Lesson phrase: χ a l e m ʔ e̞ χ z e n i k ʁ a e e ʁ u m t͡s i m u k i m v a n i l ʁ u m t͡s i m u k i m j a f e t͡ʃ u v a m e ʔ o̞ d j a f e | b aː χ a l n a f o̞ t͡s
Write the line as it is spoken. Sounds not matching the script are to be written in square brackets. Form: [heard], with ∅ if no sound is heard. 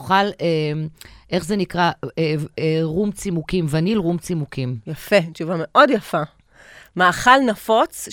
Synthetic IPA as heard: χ a l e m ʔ e̞ χ z e n i k ʁ a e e ʁ u m t͡s i m u k i m v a n i l ʁ u m t͡s i m u k i m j a f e t͡ʃ u v a m e ʔ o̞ d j a f [a] | [m] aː χ a l n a f o̞ t͡s